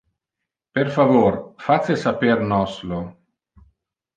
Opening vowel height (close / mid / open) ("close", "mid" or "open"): mid